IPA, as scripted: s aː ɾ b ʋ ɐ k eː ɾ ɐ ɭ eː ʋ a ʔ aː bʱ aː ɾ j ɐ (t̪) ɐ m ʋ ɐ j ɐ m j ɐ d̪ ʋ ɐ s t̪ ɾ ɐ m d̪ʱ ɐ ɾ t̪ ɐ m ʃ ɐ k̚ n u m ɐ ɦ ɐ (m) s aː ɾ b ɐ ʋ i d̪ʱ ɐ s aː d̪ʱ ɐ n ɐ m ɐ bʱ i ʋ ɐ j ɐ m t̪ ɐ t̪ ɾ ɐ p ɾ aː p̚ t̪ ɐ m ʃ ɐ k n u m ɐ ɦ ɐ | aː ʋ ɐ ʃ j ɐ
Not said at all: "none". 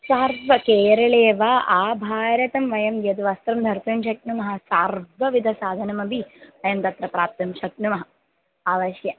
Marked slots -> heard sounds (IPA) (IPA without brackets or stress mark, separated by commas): t̪, none